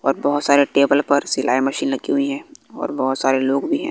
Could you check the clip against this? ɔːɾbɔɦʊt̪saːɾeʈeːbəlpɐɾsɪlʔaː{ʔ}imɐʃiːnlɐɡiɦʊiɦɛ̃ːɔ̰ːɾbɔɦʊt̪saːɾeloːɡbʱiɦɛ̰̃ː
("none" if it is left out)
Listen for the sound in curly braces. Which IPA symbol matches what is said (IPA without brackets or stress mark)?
none